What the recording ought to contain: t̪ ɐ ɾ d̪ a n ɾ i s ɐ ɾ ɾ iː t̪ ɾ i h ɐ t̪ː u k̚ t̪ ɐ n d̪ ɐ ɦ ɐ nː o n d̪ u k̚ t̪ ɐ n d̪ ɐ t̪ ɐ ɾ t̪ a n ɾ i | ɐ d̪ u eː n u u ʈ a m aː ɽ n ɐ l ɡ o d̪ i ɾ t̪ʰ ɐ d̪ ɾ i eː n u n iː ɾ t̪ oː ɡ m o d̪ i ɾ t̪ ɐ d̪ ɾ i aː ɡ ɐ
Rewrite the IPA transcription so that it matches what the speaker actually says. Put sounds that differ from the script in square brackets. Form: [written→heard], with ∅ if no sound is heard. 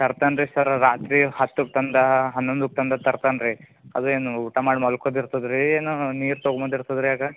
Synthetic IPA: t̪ ɐ ɾ [d̪→t̪] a n ɾ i s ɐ ɾ ɾ [iː→aː] t̪ ɾ i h ɐ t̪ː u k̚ t̪ ɐ n d̪ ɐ ɦ ɐ nː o n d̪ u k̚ t̪ ɐ n d̪ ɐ t̪ ɐ ɾ t̪ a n ɾ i | ɐ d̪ u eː n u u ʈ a m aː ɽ [n→m] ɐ l [ɡ→k] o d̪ i ɾ [t̪ʰ→t̪] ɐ d̪ ɾ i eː n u n iː ɾ t̪ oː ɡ m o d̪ i ɾ t̪ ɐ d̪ ɾ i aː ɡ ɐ

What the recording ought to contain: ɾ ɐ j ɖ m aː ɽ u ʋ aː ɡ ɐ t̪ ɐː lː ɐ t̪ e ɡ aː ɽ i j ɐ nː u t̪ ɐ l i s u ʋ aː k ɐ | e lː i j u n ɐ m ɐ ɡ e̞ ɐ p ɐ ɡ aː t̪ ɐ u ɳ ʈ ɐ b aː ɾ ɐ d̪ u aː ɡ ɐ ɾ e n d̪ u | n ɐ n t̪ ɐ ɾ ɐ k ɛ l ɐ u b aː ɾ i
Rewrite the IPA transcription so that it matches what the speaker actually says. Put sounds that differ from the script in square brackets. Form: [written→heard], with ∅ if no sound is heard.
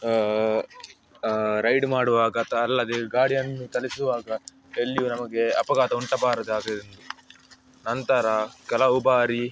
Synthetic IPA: ɾ ɐ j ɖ m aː ɽ u ʋ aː ɡ ɐ t̪ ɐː lː ɐ [t̪→d̪] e ɡ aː ɽ i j ɐ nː u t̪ ɐ l i s u ʋ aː [k→ɡ] ɐ | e lː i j u n ɐ m ɐ ɡ e̞ ɐ p ɐ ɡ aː t̪ ɐ u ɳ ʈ ɐ b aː ɾ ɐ d̪ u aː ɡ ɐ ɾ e n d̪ u | n ɐ n t̪ ɐ ɾ ɐ k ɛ l ɐ u b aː ɾ i

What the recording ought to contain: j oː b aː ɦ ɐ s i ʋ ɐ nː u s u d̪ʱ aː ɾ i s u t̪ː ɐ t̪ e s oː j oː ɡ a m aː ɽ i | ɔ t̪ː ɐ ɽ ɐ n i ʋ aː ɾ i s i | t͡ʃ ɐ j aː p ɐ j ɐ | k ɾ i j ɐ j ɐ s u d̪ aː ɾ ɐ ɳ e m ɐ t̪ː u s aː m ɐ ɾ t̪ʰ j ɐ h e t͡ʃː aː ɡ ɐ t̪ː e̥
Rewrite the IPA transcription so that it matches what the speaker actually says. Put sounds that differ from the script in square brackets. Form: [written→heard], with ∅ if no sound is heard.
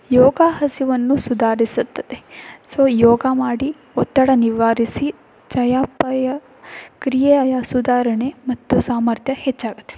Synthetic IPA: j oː [b→ɡ] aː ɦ ɐ s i ʋ ɐ nː u s u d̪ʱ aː ɾ i s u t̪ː ɐ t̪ e s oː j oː ɡ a m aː ɽ i | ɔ t̪ː ɐ ɽ ɐ n i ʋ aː ɾ i s i | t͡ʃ ɐ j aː p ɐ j ɐ | k ɾ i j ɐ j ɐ s u d̪ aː ɾ ɐ ɳ e m ɐ t̪ː u s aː m ɐ ɾ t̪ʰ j ɐ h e t͡ʃː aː ɡ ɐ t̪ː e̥

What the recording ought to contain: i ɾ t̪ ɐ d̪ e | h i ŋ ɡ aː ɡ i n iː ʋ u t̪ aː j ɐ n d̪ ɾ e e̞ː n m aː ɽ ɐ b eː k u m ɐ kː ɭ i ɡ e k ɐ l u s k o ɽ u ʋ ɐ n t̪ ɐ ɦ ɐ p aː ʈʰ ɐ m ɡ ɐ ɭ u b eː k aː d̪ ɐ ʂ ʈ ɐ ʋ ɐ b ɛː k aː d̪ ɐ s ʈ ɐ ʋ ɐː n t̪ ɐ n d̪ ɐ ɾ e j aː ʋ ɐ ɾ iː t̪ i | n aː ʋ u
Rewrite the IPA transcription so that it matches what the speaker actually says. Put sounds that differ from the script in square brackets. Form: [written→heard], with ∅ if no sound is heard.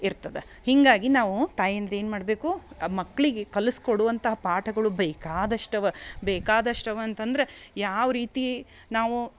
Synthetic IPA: i ɾ t̪ ɐ d̪ e | h i ŋ ɡ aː ɡ i n [iː→aː] ʋ u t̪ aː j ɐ n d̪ ɾ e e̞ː n m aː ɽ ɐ b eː k u m ɐ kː ɭ i ɡ e k ɐ l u s k o ɽ u ʋ ɐ n t̪ ɐ ɦ ɐ p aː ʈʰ ɐ [m→∅] ɡ ɐ ɭ u b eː k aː d̪ ɐ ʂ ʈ ɐ ʋ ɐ b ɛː k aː d̪ ɐ [s→ʂ] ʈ ɐ ʋ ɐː n t̪ ɐ n d̪ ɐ ɾ e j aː ʋ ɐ ɾ iː t̪ i | n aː ʋ u

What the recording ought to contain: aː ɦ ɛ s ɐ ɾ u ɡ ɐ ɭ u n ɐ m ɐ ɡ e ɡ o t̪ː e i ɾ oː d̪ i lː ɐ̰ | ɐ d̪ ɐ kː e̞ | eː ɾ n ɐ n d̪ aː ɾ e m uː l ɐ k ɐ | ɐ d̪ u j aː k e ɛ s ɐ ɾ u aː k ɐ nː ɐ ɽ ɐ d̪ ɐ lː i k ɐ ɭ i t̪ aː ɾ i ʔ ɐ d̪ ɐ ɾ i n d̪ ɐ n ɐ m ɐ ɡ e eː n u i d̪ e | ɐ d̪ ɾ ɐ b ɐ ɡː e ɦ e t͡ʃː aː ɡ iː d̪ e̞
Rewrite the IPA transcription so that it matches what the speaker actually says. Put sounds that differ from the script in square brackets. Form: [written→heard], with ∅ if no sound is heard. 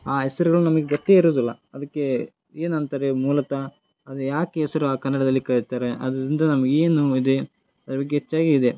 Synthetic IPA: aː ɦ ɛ s ɐ ɾ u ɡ ɐ ɭ u n ɐ m ɐ ɡ e ɡ o t̪ː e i ɾ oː d̪ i lː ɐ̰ | ɐ d̪ ɐ kː e̞ | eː [ɾ→∅] n ɐ n [d̪→t̪] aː ɾ e m uː l ɐ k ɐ | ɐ d̪ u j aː k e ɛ s ɐ ɾ u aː k ɐ nː ɐ ɽ ɐ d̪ ɐ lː i k ɐ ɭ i t̪ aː ɾ [i→e] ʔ ɐ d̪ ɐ ɾ i n d̪ ɐ n ɐ m ɐ ɡ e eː n u i d̪ e | ɐ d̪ ɾ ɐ b ɐ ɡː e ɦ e t͡ʃː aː ɡ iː d̪ e̞

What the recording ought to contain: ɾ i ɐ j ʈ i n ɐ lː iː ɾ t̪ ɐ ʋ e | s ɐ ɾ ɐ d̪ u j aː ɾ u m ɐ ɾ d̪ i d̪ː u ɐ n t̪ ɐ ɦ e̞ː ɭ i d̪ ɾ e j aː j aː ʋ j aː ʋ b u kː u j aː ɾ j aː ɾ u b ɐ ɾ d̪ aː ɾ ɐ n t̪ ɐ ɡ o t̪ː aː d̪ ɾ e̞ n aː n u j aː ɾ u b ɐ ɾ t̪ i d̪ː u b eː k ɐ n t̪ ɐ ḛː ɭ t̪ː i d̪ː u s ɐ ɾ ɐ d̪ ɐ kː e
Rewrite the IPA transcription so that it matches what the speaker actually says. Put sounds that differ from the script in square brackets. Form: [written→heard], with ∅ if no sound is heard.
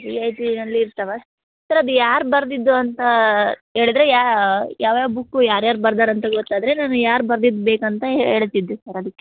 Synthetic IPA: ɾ i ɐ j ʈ i n ɐ lː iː ɾ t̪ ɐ ʋ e | s ɐ ɾ ɐ d̪ u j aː ɾ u [m→b] ɐ ɾ d̪ i d̪ː u ɐ n t̪ ɐ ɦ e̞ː ɭ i d̪ ɾ e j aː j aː ʋ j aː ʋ b u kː u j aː ɾ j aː ɾ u b ɐ ɾ d̪ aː ɾ ɐ n t̪ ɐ ɡ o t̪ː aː d̪ ɾ e̞ n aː n u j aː ɾ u b ɐ ɾ [t̪→d̪] i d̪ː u b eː k ɐ n t̪ ɐ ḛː ɭ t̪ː i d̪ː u s ɐ ɾ ɐ d̪ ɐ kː e

